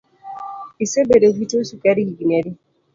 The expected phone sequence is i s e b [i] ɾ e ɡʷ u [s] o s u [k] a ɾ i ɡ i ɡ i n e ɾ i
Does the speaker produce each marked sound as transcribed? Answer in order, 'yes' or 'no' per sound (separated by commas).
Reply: no, no, yes